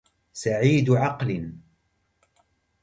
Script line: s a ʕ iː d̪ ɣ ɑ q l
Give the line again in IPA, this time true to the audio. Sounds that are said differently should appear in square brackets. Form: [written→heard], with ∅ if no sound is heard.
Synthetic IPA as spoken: s a ʕ iː d̪ [ɣ→ʕ] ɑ q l